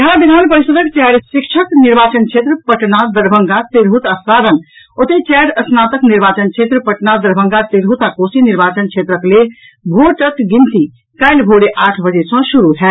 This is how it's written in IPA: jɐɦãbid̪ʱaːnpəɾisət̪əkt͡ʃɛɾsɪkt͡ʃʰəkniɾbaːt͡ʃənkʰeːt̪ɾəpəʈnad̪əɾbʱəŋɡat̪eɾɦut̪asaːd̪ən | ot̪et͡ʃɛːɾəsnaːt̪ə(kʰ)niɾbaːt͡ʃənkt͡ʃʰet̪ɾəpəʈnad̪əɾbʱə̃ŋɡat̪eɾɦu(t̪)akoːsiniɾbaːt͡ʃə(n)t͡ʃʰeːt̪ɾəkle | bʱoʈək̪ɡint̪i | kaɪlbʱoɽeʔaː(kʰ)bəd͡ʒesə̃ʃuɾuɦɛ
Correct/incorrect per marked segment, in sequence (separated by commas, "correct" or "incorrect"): incorrect, correct, correct, incorrect